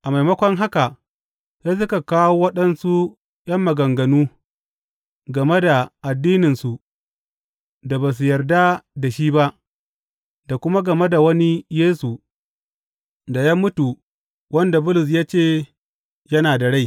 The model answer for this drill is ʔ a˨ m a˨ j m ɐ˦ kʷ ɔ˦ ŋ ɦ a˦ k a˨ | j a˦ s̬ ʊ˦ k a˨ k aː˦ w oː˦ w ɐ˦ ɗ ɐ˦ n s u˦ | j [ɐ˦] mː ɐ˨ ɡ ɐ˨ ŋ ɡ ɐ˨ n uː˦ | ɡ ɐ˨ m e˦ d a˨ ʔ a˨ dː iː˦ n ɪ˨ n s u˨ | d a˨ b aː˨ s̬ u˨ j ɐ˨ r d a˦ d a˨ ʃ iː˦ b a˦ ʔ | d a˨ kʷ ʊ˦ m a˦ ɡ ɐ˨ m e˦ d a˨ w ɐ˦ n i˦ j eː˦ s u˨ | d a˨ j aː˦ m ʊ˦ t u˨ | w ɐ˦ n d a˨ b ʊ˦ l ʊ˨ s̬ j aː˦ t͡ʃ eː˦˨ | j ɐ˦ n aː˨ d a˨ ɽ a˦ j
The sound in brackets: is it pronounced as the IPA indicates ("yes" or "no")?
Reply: yes